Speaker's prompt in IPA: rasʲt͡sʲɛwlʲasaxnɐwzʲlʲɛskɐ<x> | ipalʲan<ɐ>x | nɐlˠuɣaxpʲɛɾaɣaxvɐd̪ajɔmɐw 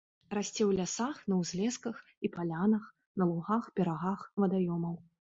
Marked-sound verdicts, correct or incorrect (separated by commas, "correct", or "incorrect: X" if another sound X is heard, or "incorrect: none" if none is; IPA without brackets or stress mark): correct, correct